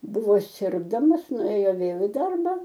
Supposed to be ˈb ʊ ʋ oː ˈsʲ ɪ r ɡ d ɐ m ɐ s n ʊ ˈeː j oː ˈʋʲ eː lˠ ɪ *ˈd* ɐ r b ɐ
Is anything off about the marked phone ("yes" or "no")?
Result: no